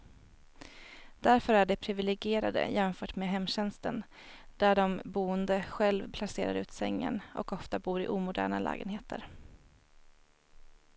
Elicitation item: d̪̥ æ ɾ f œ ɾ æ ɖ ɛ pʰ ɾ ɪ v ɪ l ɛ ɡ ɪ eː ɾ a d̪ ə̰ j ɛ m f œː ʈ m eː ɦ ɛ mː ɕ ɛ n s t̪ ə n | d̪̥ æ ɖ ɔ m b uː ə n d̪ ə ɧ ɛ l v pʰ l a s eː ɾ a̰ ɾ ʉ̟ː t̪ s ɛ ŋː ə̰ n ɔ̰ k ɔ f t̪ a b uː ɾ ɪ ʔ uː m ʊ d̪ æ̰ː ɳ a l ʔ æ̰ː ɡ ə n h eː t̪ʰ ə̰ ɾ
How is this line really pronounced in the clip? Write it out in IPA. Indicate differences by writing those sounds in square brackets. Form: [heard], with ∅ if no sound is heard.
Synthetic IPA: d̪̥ æ ɾ f œ ɾ æ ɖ ɛ pʰ ɾ ɪ v ɪ l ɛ ɡ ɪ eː ɾ a d̪ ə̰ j ɛ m f œː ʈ m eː ɦ ɛ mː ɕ ɛ n s t̪ ə n | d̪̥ æ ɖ ɔ m b uː ə n d̪ ə ɧ ɛ l v pʰ l a s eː ɾ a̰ ɾ ʉ̟ː t̪ s ɛ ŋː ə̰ n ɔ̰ k ɔ f t̪ a b uː ɾ ɪ ʔ uː m ʊ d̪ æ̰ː ɳ a l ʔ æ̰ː ɡ ə n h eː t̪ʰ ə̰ ɾ